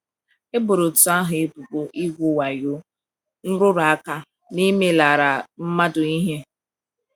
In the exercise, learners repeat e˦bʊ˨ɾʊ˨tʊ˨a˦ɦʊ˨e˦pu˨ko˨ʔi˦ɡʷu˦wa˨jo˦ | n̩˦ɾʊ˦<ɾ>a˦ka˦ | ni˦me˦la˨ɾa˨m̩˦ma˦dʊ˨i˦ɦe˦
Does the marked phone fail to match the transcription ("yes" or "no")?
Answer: no